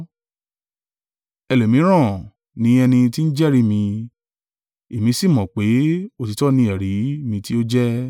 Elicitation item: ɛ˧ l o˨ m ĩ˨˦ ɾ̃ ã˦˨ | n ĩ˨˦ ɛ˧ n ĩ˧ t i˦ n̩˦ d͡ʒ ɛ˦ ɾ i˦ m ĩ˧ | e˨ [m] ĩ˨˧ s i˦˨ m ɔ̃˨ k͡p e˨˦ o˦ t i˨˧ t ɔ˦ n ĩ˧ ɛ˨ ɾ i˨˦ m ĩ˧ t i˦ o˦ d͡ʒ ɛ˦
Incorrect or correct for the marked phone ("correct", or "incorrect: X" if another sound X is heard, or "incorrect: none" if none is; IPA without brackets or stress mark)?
correct